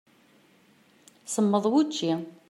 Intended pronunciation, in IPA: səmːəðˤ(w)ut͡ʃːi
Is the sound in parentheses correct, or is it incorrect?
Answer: correct